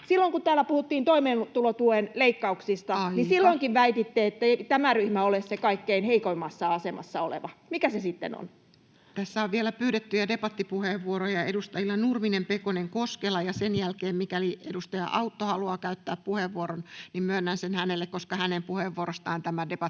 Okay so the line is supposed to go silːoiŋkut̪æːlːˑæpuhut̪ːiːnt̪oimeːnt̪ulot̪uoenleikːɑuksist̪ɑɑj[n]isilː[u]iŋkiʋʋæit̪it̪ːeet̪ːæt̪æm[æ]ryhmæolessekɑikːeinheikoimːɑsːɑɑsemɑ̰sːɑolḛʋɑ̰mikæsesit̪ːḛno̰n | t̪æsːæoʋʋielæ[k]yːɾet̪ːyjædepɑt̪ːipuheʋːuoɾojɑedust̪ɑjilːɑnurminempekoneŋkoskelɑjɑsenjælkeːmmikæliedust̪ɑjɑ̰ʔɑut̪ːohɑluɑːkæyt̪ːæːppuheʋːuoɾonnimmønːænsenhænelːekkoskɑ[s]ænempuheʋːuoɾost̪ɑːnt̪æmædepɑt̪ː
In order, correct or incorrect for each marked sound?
correct, incorrect: o, correct, incorrect: p, incorrect: h

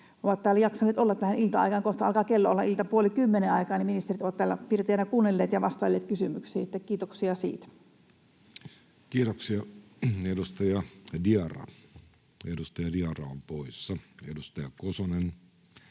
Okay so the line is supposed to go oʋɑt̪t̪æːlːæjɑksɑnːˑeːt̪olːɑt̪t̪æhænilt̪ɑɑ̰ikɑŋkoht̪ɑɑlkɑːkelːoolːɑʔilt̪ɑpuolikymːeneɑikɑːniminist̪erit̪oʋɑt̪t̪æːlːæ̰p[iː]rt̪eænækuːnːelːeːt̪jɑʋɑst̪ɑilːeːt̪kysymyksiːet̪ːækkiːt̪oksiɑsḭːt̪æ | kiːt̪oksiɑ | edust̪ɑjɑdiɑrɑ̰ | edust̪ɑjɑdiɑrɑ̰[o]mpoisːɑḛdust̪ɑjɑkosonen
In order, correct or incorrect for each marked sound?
incorrect: i, correct

